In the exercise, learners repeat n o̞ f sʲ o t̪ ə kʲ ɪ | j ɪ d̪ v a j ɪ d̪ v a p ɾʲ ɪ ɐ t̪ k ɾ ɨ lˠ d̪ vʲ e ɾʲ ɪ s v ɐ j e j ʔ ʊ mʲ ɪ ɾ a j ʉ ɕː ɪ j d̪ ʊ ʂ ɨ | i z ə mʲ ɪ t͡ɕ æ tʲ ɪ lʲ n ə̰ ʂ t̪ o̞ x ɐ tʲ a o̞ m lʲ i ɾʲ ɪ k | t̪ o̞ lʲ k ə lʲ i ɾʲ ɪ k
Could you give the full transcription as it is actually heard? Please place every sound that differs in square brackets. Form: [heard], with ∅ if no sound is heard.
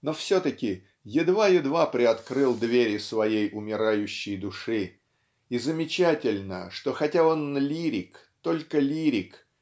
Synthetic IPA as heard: n o̞ f sʲ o t̪ ə kʲ ɪ | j ɪ d̪ v a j ɪ d̪ v a p ɾʲ ɪ ɐ t̪ k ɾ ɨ lˠ d̪ vʲ e ɾʲ ɪ s v ɐ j e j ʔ ʊ mʲ ɪ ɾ a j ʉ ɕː ɪ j d̪ ʊ ʂ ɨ | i z ə mʲ ɪ t͡ɕ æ tʲ ɪ lʲ n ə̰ ʂ t̪ o̞ x ɐ tʲ a o̞ [n] lʲ i ɾʲ ɪ k | t̪ o̞ lʲ k ə lʲ i ɾʲ ɪ k